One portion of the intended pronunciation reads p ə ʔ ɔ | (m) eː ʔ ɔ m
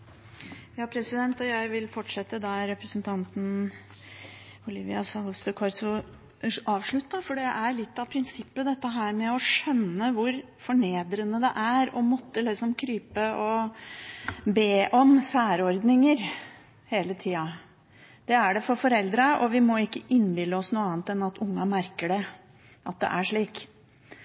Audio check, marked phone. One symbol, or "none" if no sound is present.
b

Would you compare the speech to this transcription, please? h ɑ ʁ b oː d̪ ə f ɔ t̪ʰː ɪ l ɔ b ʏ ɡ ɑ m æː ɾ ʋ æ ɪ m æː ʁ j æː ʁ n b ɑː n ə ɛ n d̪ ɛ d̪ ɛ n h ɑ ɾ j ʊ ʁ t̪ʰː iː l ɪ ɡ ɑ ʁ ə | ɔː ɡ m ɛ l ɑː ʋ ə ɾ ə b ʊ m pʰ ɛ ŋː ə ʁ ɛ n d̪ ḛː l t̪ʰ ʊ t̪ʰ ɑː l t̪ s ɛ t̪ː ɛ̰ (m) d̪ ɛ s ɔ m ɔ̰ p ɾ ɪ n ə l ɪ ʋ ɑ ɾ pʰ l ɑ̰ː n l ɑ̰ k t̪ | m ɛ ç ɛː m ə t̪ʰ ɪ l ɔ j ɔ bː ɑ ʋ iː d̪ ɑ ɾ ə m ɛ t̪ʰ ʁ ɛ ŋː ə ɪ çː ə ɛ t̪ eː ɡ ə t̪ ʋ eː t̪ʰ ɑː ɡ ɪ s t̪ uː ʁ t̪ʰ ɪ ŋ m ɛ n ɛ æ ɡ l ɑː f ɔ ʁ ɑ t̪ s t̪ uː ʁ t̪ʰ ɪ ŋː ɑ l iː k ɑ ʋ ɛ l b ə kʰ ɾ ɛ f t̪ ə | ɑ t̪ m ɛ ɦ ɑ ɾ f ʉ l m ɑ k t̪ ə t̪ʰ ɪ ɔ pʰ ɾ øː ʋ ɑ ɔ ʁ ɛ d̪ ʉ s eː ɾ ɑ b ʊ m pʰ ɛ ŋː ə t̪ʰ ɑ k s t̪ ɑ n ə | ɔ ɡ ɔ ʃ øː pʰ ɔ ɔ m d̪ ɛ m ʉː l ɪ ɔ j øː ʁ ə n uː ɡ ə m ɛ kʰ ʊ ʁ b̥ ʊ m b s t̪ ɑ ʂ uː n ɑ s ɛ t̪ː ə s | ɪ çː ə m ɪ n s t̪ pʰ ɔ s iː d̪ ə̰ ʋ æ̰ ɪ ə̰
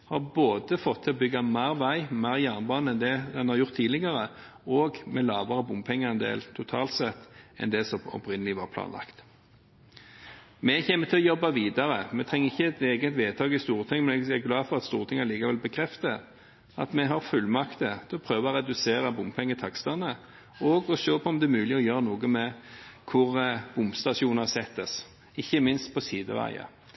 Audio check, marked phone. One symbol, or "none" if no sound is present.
n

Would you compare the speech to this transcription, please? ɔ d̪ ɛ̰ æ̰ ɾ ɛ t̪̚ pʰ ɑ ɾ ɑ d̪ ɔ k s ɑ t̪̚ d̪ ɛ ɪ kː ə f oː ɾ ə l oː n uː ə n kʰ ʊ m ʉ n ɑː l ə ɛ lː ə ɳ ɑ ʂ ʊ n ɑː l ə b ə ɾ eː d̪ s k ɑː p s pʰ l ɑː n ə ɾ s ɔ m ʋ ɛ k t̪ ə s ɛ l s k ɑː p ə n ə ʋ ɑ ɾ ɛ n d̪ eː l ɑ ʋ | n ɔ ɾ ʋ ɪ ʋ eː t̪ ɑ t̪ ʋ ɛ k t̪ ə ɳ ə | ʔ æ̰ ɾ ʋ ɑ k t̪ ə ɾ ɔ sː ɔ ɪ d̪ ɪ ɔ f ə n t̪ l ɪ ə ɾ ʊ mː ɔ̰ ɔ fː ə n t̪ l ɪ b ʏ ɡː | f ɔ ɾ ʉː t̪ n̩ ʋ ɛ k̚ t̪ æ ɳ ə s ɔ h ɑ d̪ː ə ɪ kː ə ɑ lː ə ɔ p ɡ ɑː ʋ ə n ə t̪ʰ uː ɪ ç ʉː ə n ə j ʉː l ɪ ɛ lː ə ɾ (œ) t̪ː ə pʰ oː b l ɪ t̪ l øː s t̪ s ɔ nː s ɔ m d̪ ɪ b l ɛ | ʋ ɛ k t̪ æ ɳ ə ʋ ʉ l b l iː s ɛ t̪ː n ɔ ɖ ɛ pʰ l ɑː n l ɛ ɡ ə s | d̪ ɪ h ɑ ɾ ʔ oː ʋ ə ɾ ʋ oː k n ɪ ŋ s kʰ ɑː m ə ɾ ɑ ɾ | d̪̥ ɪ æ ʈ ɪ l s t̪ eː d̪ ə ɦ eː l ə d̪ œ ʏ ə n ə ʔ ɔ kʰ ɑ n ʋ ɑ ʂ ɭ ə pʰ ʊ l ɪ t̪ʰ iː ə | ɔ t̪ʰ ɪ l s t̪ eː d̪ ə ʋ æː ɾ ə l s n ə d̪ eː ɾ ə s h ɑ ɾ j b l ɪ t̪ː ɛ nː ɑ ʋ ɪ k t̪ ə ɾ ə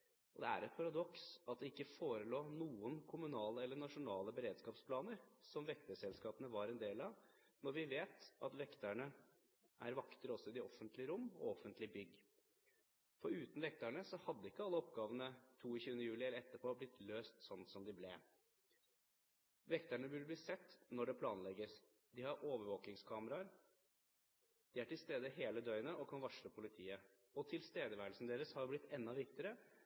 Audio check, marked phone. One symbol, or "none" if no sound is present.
ɛ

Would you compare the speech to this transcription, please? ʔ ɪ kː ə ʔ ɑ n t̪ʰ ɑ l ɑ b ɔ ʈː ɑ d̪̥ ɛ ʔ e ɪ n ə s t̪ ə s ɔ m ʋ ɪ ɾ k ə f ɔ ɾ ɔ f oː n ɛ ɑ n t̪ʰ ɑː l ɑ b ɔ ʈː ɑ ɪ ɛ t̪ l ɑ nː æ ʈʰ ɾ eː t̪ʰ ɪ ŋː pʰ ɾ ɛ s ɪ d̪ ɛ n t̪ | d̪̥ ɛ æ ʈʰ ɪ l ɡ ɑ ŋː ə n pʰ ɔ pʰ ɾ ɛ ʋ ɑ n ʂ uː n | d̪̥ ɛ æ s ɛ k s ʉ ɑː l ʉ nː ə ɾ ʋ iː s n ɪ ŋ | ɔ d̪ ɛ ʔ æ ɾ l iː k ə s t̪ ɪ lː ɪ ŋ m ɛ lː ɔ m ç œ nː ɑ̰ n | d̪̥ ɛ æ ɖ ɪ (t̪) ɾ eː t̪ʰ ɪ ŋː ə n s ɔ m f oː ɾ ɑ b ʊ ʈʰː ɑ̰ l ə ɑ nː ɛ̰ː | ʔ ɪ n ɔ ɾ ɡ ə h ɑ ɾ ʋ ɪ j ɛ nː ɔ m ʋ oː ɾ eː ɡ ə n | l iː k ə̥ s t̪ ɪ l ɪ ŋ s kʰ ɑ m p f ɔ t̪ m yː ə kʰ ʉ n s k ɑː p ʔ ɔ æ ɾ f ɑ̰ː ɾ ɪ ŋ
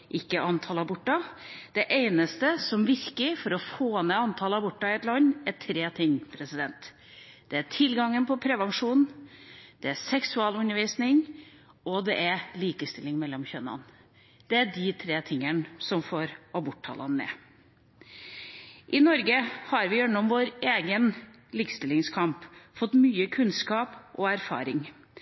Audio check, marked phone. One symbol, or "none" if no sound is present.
t̪ʰ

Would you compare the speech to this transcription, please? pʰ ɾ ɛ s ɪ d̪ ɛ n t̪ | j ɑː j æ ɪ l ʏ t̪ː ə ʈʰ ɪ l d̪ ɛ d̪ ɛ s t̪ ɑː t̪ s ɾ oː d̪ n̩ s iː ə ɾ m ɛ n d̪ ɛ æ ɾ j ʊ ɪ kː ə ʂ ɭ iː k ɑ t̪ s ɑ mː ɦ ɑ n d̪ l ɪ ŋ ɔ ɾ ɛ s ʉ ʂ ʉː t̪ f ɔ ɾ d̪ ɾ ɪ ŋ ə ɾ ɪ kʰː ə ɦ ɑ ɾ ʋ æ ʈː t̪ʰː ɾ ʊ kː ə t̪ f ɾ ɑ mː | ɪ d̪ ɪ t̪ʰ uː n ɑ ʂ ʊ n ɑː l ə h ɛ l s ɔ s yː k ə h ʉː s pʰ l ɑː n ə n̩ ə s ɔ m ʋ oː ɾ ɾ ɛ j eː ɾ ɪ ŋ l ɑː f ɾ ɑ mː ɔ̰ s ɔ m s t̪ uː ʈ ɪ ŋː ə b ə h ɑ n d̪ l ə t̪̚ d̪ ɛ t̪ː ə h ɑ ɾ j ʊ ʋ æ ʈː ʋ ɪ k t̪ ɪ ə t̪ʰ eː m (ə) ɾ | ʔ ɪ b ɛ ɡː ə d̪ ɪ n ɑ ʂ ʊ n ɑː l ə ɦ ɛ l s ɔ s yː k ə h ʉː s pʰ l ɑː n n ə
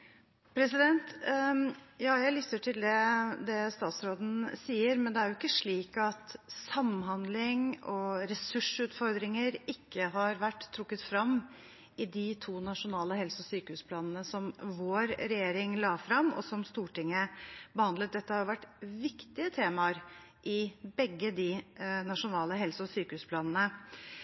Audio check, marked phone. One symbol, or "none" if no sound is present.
ɑ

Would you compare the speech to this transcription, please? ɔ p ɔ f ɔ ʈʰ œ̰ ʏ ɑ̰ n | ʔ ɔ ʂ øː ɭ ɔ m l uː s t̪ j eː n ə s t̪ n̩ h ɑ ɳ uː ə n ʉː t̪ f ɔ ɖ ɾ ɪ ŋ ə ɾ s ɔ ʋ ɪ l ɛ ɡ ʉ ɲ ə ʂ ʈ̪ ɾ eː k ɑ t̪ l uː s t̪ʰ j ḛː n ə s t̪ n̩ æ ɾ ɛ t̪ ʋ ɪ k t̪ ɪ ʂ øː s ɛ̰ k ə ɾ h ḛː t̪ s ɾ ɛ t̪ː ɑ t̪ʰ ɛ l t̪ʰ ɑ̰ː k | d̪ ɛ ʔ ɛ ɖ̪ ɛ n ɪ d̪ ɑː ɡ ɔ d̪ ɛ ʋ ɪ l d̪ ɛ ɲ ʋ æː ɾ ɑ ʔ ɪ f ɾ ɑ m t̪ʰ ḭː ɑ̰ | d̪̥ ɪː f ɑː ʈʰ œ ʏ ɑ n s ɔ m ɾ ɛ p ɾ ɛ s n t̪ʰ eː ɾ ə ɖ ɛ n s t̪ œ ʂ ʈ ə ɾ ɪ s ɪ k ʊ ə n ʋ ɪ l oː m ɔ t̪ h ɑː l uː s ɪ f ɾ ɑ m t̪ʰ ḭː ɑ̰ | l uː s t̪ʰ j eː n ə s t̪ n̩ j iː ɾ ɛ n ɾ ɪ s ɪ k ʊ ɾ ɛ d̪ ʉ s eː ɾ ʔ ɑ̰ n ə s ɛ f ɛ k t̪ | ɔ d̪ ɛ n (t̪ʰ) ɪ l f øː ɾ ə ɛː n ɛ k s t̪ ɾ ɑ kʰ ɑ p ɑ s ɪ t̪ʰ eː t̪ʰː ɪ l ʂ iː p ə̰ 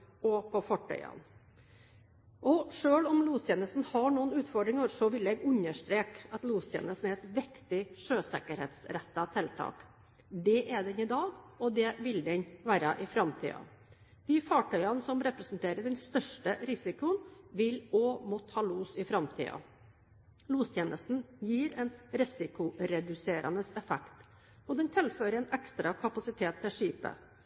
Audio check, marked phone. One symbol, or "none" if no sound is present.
t̪ʰ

